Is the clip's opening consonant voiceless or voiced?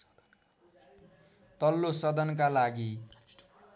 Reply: voiceless